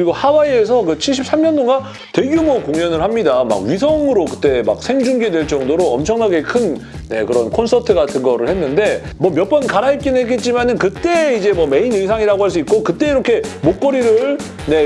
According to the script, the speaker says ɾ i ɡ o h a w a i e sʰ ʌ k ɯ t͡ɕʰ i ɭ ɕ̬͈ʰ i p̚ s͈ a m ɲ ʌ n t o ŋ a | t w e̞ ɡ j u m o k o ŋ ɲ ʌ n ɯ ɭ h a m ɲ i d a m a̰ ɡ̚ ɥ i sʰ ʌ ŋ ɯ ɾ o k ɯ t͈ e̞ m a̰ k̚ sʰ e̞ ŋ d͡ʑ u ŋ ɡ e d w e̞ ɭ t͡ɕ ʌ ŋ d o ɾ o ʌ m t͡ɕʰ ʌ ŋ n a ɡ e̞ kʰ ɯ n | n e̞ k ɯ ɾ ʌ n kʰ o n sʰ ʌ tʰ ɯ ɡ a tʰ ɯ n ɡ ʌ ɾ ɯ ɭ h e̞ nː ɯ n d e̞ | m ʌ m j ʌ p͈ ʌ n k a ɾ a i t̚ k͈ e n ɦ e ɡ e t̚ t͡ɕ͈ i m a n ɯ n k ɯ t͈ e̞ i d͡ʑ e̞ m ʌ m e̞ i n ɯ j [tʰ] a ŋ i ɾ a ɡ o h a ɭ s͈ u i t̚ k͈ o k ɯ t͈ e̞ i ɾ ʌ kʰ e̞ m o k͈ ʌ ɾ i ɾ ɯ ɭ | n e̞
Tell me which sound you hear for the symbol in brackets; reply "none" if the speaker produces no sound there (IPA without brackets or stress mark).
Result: sʰ